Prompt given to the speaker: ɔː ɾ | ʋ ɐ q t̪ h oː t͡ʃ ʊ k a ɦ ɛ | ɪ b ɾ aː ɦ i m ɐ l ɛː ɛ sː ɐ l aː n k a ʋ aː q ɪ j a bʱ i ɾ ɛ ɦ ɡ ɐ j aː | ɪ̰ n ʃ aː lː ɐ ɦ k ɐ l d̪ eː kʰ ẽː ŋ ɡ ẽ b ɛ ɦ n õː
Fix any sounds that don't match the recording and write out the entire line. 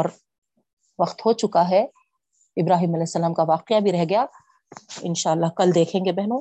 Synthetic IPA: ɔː ɾ | ʋ ɐ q t̪ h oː t͡ʃ ʊ k a ɦ ɛ | ɪ b ɾ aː ɦ iː m ɐ l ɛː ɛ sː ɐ l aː m k a ʋ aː q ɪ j a bʱ i ɾ ɛ ɦ ɡ ɐ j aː | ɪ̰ n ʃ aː lː a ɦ k ɐ l d̪ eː kʰ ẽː ŋ ɡ e b ɛ ɦ n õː